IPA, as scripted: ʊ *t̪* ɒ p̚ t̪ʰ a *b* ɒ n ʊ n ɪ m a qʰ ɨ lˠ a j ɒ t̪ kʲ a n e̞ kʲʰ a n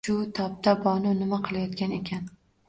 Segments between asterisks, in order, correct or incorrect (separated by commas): incorrect, correct